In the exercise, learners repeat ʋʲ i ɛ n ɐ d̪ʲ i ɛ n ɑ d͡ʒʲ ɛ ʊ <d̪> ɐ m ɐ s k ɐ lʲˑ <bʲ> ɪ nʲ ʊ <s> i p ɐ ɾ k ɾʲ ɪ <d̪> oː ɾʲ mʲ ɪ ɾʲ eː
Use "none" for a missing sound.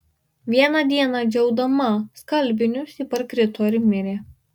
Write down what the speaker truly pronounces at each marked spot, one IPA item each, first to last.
d̪, bʲ, s, t̪

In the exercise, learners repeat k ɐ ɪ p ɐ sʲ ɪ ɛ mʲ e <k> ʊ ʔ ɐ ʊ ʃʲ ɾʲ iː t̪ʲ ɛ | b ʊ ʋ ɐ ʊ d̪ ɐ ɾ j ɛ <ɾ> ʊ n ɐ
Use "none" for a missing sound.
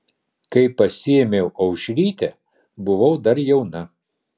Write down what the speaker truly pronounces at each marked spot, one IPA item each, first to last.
none, none

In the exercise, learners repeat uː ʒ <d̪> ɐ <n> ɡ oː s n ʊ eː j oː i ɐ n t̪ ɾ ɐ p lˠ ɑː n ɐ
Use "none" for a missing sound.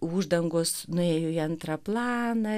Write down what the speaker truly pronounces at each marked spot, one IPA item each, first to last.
d̪, ŋ

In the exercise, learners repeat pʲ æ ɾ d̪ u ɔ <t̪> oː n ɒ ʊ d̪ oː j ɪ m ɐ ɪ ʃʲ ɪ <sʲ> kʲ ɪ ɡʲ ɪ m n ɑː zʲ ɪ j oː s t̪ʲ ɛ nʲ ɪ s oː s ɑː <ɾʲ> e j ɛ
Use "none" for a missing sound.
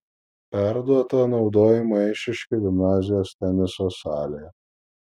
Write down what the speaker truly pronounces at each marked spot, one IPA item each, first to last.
t̪, ʃʲ, lʲ

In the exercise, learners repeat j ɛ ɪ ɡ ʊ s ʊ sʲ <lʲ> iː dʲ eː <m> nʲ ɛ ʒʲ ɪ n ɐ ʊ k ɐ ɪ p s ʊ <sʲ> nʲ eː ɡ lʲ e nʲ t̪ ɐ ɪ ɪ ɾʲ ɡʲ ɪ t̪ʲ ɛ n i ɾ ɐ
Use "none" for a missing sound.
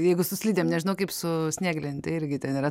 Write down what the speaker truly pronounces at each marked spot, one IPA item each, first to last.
lʲ, m, sʲ

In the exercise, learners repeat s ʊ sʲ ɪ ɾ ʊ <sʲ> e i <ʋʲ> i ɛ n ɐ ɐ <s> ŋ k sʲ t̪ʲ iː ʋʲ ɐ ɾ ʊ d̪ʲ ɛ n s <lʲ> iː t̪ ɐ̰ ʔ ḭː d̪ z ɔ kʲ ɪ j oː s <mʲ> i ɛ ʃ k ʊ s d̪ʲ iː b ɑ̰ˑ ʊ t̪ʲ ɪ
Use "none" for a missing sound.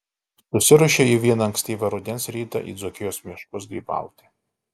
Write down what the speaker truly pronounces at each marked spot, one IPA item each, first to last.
ʃʲ, ʋʲ, none, ɾʲ, mʲ

